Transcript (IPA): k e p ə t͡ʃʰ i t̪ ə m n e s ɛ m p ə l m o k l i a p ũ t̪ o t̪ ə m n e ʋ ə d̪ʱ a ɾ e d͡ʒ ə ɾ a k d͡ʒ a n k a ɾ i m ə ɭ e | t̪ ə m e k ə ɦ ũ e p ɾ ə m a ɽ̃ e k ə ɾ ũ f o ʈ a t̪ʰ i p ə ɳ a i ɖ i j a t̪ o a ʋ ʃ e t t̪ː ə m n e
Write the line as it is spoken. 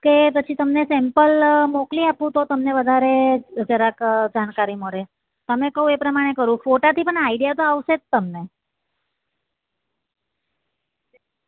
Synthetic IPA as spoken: k e p ə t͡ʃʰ i t̪ ə m n e s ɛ m p ə l m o k l i a p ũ t̪ o t̪ ə m n e ʋ ə d̪ʱ a ɾ e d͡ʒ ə ɾ a k d͡ʒ a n k a ɾ i m ə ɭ e | t̪ ə m e k ə ɦ ũ e p ɾ ə m a ɽ̃ e k ə ɾ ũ f o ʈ a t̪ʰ i p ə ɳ a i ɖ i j a t̪ o a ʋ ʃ e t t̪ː ə m n e